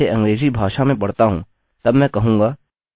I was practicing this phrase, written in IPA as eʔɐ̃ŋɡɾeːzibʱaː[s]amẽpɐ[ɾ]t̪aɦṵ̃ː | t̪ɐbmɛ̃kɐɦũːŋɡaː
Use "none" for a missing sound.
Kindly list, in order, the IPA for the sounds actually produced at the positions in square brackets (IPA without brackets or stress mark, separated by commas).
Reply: ʃ, ɽ